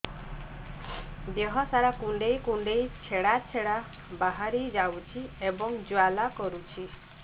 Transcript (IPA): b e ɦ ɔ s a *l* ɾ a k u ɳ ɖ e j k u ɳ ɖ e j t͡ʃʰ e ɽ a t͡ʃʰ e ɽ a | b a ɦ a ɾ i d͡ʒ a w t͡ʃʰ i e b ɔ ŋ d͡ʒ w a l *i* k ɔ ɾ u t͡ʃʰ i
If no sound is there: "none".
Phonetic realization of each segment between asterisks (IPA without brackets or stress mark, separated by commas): none, a